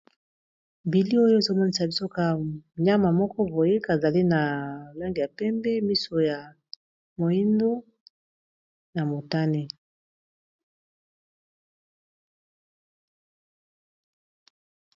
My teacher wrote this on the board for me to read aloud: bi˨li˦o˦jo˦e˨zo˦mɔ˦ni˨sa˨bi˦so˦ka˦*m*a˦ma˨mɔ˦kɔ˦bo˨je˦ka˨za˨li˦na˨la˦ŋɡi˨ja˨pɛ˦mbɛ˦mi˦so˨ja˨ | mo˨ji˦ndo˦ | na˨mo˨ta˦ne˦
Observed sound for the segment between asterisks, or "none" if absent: ɲ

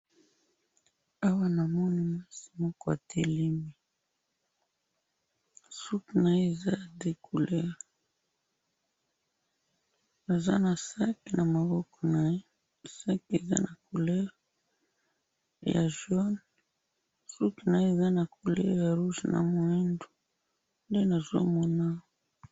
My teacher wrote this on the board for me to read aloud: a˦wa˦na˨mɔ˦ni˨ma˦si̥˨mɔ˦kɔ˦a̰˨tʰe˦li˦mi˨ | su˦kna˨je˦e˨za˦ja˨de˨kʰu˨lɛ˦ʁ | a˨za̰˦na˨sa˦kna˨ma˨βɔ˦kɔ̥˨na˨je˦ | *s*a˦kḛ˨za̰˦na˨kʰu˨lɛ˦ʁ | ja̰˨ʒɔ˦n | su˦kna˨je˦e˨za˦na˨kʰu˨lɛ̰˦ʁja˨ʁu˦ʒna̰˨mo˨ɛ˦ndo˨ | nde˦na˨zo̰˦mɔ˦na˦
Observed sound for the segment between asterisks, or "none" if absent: s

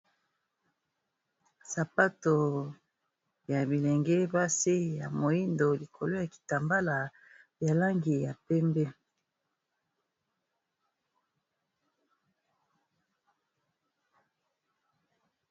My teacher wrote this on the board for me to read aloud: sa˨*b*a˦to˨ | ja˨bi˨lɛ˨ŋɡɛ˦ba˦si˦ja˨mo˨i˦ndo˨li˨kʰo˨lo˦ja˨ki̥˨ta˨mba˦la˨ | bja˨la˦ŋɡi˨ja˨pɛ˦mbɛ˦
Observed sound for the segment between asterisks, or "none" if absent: p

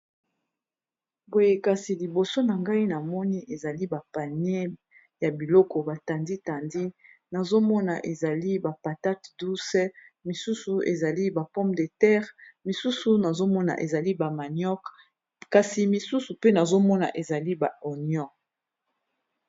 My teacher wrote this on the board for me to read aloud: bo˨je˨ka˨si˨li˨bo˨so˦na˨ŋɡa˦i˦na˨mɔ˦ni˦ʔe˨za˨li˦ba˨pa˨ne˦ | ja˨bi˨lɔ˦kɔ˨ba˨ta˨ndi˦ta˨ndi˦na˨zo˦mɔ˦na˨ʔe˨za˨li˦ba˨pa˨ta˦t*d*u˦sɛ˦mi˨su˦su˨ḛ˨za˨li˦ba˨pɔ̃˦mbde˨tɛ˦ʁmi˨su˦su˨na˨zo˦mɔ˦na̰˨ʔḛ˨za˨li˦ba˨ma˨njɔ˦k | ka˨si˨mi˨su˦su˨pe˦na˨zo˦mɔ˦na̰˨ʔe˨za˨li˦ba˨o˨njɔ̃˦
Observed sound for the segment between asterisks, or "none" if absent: d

